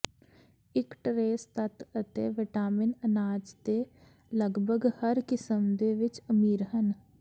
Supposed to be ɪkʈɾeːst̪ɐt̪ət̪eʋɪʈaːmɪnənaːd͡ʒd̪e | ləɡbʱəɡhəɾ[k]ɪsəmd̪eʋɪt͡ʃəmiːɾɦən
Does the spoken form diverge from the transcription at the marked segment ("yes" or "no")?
no